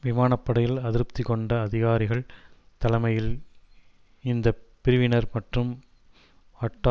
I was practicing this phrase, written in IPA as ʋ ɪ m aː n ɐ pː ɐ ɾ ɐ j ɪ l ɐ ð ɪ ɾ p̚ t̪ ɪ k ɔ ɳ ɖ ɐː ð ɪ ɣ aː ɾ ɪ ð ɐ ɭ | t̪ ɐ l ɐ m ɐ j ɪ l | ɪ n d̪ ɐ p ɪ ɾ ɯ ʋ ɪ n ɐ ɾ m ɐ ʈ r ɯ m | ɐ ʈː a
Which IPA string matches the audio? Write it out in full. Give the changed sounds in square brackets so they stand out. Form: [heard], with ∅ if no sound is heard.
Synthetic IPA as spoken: ʋ ɪ m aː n ɐ pː ɐ [ɽ] ɐ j ɪ l ɐ ð ɪ ɾ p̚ t̪ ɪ k ɔ ɳ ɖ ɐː ð ɪ ɣ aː ɾ ɪ [ɣ] ɐ ɭ | t̪ ɐ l ɐ m ɐ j ɪ l | ɪ n d̪ ɐ p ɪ ɾ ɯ ʋ ɪ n ɐ ɾ m ɐ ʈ r ɯ m | ɐ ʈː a

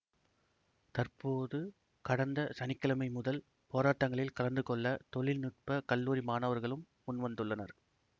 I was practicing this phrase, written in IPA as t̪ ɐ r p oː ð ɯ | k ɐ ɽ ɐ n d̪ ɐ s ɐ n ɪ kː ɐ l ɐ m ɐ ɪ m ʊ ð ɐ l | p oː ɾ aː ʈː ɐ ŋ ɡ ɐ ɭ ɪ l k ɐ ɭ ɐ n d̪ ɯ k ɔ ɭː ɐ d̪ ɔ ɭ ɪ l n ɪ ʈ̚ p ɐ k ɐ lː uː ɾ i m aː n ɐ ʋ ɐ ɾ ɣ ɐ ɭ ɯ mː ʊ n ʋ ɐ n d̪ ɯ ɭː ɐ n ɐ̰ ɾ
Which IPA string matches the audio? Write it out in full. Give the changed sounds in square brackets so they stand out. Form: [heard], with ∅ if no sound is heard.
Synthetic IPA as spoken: t̪ ɐ r p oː ð ɯ | k ɐ ɽ ɐ n d̪ ɐ s ɐ n ɪ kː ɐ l ɐ m ɐ ɪ m ʊ ð ɐ l | p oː ɾ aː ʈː ɐ ŋ ɡ ɐ ɭ ɪ l k ɐ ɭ ɐ n d̪ ɯ k ɔ ɭː ɐ [t̪] ɔ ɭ ɪ l n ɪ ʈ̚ p ɐ k ɐ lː uː ɾ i m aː n ɐ ʋ ɐ ɾ ɣ ɐ ɭ ɯ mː ʊ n ʋ ɐ n d̪ ɯ ɭː ɐ n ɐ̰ ɾ

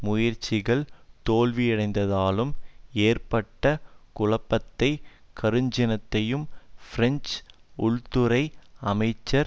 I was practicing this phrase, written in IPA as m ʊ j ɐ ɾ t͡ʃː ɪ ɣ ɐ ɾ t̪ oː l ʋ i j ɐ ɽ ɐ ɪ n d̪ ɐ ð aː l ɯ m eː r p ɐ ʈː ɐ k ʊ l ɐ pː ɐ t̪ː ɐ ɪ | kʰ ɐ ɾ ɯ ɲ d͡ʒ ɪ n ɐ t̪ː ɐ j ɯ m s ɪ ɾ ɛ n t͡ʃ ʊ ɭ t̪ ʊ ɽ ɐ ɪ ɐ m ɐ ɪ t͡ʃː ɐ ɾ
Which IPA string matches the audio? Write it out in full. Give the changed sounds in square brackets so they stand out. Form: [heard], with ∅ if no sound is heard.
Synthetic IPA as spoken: m ʊ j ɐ ɾ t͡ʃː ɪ ɣ ɐ [ɭ] t̪ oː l ʋ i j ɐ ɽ ɐ ɪ n d̪ ɐ ð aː l ɯ m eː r p ɐ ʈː ɐ k ʊ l ɐ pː ɐ t̪ː ɐ ɪ | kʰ ɐ ɾ ɯ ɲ d͡ʒ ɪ n ɐ t̪ː ɐ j ɯ m [f] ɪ ɾ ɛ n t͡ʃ ʊ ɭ t̪ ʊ [ɾ] ɐ ɪ ɐ m ɐ ɪ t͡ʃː ɐ ɾ

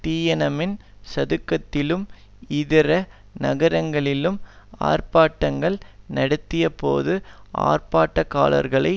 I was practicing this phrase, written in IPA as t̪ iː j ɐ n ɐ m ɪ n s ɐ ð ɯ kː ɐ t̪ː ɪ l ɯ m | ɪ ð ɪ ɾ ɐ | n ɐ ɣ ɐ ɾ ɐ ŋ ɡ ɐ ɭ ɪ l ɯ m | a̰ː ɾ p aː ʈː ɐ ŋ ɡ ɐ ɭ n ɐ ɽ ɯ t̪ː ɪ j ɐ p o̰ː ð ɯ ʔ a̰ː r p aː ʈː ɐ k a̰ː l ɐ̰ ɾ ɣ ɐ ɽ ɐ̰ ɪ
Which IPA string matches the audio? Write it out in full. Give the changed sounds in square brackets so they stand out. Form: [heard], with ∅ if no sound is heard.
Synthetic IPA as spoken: t̪ iː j ɐ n ɐ m ɪ n s ɐ ð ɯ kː ɐ t̪ː ɪ l ɯ m | ɪ ð ɪ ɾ ɐ | n ɐ ɣ ɐ ɾ ɐ ŋ ɡ ɐ ɭ ɪ l ɯ m | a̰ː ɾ p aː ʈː ɐ ŋ ɡ ɐ ɭ n ɐ ɽ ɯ t̪ː ɪ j ɐ p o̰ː ð ɯ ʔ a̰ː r p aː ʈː ɐ k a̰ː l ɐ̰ ɾ ɣ ɐ [ɭ] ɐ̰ ɪ

